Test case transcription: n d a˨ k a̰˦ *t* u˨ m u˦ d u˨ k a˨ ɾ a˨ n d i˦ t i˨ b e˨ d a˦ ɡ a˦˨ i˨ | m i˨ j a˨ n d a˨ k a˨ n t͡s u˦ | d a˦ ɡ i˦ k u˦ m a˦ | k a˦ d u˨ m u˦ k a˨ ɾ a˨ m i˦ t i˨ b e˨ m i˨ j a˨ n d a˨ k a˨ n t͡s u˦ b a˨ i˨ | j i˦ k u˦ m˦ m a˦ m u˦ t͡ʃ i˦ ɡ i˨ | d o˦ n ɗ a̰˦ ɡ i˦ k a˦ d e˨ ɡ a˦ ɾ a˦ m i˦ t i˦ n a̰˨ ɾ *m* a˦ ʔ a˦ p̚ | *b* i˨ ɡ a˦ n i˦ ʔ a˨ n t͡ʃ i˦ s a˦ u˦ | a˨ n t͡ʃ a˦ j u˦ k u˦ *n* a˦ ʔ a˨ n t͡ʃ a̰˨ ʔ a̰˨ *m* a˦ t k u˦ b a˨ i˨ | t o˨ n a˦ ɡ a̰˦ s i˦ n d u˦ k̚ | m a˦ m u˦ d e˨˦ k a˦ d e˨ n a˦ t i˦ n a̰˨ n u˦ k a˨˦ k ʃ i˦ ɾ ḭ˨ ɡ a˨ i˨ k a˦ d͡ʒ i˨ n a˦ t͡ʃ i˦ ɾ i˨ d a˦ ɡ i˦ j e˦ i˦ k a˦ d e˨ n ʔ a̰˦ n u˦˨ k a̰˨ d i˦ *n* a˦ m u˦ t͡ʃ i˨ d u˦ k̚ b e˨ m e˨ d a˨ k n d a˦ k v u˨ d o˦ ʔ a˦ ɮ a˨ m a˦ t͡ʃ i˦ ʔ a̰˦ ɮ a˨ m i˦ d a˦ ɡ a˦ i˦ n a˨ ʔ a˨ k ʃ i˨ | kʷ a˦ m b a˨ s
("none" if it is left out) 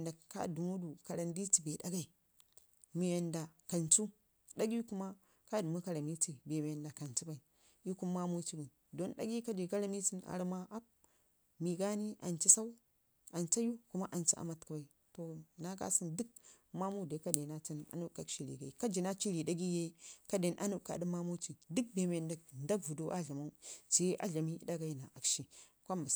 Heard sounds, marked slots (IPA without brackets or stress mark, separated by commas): d, m, m, m, m, m